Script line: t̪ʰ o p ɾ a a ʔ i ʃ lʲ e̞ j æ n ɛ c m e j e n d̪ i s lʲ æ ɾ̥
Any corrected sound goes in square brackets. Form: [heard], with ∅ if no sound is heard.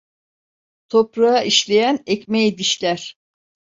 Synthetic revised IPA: t̪ʰ o p ɾ a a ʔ i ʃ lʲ e̞ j æ n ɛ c m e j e [∅] d̪ i [ʃ] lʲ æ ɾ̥